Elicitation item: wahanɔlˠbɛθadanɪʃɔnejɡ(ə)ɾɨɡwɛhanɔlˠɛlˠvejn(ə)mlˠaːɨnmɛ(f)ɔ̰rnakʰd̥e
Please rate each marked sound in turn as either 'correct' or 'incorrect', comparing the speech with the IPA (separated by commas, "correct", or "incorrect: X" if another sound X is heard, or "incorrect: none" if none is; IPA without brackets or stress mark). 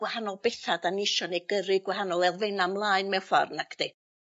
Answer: correct, incorrect: a, correct